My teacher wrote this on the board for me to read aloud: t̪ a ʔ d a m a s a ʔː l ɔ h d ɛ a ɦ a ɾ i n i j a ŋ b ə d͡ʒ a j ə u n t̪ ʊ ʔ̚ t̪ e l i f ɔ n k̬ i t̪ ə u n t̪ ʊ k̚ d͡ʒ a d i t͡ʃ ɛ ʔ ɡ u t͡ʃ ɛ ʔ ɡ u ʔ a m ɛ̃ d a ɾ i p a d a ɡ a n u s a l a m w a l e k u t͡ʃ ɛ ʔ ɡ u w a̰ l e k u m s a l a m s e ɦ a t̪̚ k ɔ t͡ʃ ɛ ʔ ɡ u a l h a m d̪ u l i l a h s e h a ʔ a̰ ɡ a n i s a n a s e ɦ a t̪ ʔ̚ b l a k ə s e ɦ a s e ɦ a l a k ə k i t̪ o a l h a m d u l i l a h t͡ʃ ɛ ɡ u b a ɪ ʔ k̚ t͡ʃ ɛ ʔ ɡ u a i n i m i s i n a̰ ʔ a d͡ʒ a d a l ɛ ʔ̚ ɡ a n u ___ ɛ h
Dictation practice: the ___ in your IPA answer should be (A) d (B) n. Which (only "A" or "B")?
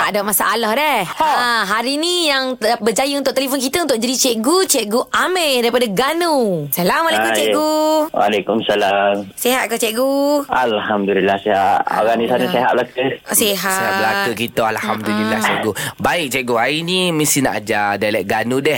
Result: A